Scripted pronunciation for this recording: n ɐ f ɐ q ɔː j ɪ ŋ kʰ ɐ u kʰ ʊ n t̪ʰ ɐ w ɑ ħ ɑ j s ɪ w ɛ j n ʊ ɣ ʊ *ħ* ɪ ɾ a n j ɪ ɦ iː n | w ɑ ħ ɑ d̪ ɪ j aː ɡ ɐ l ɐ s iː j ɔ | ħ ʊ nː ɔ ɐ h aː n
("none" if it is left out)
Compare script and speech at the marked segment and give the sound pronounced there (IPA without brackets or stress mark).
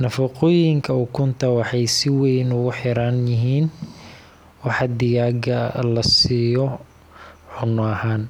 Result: ħ